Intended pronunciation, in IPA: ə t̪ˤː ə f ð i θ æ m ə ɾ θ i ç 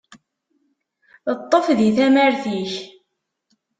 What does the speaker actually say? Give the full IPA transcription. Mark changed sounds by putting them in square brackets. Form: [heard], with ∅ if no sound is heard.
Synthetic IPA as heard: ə t̪ˤː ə f ð i θ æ m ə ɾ θ i ç